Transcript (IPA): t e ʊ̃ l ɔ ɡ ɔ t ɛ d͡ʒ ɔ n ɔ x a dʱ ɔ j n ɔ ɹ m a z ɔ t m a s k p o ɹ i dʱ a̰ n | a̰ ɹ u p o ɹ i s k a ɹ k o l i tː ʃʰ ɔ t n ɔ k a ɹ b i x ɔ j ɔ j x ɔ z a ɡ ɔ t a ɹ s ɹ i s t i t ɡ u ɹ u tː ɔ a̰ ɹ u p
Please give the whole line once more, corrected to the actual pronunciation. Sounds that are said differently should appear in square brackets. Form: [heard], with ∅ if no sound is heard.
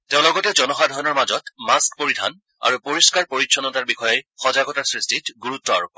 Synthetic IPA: t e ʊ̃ l ɔ ɡ ɔ t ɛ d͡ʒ ɔ n ɔ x a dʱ ɔ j n ɔ ɹ m a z ɔ t m a s k p o ɹ i dʱ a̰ n | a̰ ɹ u p o ɹ i s k a ɹ [p] o [ɹ] i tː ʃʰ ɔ [∅] n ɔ [t] a ɹ b i x ɔ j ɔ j x ɔ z a ɡ ɔ t a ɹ s ɹ i s t i t ɡ u ɹ u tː ɔ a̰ ɹ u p